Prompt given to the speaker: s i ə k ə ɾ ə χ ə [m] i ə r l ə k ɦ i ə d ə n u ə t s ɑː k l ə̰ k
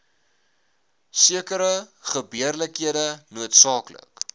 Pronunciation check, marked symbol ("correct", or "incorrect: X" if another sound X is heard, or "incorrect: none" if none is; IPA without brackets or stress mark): incorrect: b